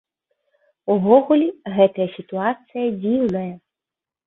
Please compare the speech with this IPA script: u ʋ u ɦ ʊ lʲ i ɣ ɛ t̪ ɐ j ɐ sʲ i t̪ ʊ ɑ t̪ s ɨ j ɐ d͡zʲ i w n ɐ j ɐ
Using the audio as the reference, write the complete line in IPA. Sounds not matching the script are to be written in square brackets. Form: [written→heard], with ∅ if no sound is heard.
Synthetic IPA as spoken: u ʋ [u→ɔ] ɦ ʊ lʲ i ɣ ɛ t̪ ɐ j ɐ sʲ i t̪ ʊ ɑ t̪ s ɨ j ɐ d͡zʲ i w n ɐ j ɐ